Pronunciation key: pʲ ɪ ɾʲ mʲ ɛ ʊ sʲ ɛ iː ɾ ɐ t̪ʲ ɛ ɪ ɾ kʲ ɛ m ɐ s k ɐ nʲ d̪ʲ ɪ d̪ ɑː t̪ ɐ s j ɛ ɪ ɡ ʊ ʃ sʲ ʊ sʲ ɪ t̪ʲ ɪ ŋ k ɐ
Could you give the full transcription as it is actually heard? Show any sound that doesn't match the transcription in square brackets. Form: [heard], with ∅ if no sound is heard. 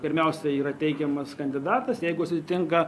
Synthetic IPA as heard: pʲ ɪ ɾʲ mʲ ɛ ʊ sʲ ɛ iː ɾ ɐ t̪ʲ ɛ ɪ [∅] kʲ ɛ m ɐ s k ɐ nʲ d̪ʲ ɪ d̪ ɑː t̪ ɐ s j ɛ ɪ ɡ ʊ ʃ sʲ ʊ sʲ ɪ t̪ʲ ɪ ŋ k ɐ